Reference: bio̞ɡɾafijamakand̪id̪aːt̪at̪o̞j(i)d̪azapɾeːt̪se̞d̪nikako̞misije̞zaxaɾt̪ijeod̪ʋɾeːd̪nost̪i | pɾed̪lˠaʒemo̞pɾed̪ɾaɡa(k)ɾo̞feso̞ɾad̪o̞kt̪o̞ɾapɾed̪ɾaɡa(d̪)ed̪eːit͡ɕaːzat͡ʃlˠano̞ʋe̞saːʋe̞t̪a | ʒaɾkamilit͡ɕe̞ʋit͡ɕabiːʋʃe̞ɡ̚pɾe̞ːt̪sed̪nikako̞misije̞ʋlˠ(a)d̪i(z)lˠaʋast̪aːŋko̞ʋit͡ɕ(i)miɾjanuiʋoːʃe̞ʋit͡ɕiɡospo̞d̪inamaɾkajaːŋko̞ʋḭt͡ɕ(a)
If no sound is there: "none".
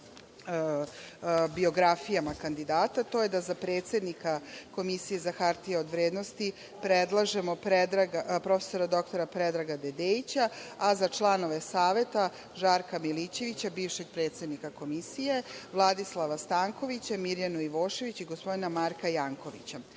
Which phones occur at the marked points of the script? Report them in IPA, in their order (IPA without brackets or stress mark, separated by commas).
e, p, d̪, a, s, a, a